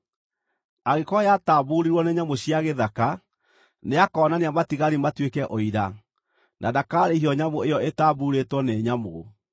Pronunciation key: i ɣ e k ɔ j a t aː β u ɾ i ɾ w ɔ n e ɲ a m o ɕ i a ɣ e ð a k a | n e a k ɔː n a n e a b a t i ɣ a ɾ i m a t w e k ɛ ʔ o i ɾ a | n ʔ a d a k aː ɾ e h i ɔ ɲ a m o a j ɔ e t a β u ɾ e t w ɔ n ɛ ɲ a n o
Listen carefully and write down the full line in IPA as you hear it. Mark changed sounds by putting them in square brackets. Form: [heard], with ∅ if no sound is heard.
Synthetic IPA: [a] ɣ e k ɔ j a t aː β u ɾ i ɾ w ɔ n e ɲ a m o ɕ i a ɣ e ð a k a | n e a k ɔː n a n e a [m] a t i ɣ a ɾ i m a t w e k ɛ ʔ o i ɾ a | n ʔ a d a k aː ɾ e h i ɔ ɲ a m o [e] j ɔ e t a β u ɾ e t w ɔ n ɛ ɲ a [m] o